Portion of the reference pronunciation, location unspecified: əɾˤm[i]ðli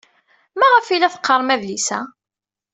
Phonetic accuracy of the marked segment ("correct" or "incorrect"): incorrect